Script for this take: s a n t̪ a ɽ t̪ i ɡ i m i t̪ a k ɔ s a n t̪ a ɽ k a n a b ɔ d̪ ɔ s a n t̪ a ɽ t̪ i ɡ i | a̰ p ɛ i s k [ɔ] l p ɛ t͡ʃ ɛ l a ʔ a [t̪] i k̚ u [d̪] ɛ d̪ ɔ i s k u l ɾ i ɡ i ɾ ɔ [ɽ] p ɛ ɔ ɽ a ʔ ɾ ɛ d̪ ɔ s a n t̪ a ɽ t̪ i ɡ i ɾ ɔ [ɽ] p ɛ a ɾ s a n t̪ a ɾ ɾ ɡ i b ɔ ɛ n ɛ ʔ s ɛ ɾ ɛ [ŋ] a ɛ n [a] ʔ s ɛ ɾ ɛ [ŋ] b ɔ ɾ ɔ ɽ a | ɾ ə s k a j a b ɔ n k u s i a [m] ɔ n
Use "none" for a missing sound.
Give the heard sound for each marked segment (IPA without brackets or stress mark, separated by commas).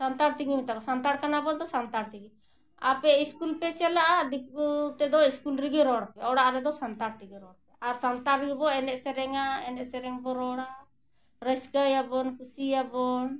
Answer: u, d̪, t̪, ɽ, ɽ, ŋ, ɛ, ŋ, b